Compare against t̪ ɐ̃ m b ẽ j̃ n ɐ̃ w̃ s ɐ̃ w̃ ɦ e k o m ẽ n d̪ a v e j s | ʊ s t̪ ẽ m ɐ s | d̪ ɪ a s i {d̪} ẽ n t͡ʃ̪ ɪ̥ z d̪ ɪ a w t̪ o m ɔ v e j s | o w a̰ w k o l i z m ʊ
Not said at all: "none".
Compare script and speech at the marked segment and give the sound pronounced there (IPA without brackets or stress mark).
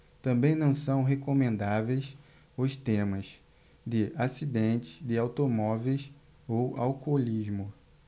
d̪